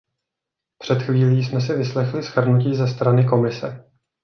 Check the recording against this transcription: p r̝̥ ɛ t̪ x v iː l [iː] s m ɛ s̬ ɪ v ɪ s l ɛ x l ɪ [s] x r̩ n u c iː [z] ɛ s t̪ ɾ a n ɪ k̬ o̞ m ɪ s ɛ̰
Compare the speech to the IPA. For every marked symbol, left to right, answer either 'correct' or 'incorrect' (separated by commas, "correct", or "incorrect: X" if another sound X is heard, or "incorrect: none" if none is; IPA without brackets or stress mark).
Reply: correct, correct, correct